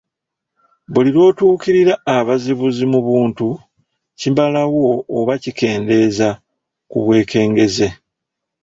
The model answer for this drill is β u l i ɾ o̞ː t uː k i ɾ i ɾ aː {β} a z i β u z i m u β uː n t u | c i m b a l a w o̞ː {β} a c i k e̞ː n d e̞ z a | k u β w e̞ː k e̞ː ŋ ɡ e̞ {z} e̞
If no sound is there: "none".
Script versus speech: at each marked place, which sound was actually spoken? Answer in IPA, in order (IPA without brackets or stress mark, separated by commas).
β, β, z